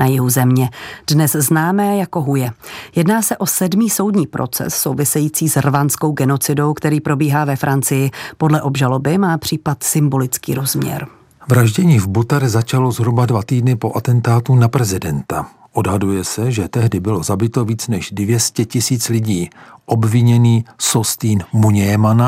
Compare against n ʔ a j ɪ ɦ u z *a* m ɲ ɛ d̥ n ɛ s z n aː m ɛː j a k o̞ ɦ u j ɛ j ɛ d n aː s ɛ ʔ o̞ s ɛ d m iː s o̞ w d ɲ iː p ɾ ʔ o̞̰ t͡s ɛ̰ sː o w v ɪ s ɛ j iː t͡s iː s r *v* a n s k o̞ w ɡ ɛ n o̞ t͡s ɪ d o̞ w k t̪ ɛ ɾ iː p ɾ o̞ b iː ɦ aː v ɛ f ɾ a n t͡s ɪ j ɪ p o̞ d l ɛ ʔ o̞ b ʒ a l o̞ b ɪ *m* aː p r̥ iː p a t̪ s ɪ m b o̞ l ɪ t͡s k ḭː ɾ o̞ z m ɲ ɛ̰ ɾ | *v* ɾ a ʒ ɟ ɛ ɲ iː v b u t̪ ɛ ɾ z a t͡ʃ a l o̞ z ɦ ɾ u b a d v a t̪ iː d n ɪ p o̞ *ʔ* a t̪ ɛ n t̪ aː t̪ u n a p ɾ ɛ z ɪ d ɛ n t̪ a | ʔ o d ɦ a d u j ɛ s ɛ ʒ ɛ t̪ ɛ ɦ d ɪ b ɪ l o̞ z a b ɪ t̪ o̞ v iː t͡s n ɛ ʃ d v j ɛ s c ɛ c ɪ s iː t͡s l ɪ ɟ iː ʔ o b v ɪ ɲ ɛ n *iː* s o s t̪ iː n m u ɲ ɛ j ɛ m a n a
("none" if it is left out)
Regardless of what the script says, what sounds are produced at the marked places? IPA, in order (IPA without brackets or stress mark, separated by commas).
ɛ, v, m, v, ʔ, iː